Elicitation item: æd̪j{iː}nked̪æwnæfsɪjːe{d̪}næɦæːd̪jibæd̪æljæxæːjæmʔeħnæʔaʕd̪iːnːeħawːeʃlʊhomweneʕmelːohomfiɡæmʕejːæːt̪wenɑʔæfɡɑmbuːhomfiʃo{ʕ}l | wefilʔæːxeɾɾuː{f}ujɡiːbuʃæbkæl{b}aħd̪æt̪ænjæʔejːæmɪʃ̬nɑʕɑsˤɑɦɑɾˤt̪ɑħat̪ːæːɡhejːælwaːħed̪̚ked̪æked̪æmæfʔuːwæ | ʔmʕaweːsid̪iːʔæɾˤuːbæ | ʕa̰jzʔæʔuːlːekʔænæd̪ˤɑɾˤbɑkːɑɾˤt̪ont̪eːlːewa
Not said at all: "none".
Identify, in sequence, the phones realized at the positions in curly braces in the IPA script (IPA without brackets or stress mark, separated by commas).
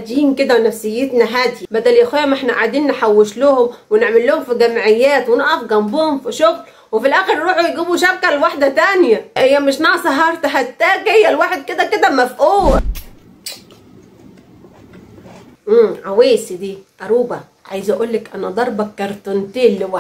iː, t̪, ɣ, ħ, w